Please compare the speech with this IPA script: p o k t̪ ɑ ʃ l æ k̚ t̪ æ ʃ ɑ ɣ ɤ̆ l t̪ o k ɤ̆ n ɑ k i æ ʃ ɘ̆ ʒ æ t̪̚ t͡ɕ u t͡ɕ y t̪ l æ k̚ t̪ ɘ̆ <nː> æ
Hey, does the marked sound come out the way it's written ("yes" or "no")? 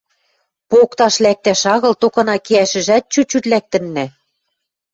yes